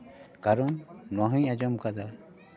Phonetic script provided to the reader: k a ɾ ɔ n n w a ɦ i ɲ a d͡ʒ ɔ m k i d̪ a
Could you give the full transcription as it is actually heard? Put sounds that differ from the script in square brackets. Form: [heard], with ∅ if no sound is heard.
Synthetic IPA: k a ɾ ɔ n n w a ɦ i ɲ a d͡ʒ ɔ m k [a] d̪ a